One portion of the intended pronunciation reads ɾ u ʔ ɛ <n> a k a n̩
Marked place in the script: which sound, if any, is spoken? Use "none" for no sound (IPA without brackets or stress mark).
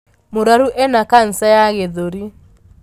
n